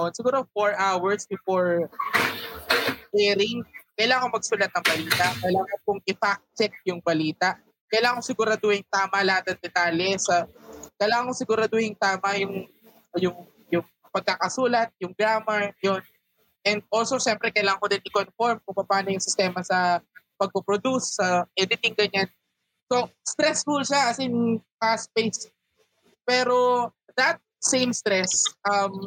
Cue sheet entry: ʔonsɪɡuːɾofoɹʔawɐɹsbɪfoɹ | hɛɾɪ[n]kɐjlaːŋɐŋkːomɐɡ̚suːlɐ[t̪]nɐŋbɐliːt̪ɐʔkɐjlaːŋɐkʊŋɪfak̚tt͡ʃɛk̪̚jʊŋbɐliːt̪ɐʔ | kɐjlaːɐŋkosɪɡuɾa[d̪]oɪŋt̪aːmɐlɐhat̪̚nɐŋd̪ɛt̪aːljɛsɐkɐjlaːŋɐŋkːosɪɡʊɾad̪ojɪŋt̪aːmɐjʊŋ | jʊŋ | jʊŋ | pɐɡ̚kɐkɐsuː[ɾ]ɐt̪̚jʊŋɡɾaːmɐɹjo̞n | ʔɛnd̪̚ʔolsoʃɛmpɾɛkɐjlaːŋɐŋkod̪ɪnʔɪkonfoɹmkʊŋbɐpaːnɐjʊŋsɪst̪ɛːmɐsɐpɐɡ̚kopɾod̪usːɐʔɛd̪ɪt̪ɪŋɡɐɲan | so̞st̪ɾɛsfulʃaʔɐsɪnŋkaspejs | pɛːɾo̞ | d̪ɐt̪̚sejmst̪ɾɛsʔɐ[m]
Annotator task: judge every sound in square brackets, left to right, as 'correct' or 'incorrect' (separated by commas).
incorrect, correct, correct, incorrect, correct